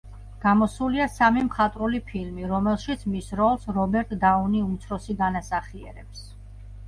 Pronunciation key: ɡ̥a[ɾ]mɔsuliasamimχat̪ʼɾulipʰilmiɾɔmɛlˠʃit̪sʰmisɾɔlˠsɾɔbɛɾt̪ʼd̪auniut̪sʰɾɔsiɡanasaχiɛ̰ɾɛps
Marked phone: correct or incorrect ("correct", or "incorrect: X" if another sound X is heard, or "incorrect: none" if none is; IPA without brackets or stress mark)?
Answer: incorrect: none